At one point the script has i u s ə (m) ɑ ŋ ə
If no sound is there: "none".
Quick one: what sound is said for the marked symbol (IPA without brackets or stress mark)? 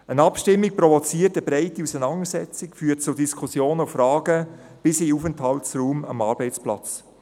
n